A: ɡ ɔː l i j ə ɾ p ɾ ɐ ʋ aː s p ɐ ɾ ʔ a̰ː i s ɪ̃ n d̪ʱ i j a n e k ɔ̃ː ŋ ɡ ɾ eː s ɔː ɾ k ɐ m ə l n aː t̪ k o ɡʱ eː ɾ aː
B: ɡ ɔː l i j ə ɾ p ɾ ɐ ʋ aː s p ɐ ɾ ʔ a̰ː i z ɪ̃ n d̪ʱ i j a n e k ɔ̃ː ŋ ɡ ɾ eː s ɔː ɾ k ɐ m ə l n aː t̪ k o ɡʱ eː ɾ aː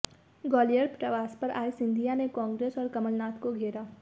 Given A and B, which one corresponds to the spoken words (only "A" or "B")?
A